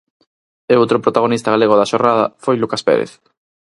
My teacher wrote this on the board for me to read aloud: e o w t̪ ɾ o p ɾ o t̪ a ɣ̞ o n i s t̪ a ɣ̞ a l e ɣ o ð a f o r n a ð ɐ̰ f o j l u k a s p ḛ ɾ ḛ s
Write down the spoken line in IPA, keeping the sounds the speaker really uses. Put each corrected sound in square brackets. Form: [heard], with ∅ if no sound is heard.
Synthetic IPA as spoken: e o w t̪ ɾ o p ɾ o t̪ a ɣ̞ o n i s t̪ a ɣ̞ a l e ɣ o ð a [ʃ] o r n a ð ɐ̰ f o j l u k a s p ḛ ɾ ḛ [θ]